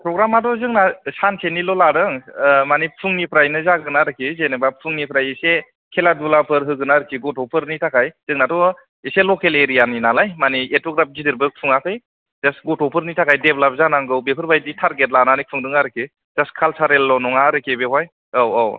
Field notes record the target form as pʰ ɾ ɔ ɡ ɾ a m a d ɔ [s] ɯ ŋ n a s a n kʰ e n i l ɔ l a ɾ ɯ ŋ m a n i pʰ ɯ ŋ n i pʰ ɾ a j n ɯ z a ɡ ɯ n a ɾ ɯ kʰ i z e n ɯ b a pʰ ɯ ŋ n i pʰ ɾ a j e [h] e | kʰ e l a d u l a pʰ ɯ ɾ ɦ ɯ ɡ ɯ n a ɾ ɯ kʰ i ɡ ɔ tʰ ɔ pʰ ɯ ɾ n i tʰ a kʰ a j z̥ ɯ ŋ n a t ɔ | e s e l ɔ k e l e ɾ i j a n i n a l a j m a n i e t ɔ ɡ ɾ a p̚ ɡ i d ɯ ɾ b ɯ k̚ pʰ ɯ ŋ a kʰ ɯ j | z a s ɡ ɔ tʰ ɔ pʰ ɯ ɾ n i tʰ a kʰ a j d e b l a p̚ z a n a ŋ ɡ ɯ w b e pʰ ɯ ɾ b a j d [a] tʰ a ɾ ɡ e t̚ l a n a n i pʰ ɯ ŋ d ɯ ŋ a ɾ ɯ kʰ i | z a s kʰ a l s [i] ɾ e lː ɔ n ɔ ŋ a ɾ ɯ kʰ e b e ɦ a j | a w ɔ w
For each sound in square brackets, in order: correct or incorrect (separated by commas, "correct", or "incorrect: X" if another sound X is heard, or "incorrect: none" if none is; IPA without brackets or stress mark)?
incorrect: z, incorrect: s, incorrect: i, incorrect: a